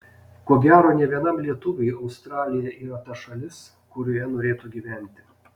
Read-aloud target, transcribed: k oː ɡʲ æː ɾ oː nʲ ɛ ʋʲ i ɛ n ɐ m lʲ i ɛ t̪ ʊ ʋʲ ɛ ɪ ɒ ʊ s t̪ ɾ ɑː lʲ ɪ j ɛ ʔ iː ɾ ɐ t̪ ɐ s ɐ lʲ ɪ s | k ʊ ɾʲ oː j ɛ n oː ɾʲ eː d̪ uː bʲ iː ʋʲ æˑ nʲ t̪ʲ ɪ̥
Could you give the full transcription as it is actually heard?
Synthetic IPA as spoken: k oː ɡʲ æː ɾ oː nʲ ɛ ʋʲ i ɛ n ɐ m lʲ i ɛ t̪ ʊ ʋʲ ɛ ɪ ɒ ʊ s t̪ ɾ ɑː lʲ ɪ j ɛ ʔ iː ɾ ɐ t̪ ɐ ʃ ɐ lʲ ɪ s | k ʊ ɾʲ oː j ɛ n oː ɾʲ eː t̪ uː ɡʲ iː ʋʲ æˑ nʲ t̪ʲ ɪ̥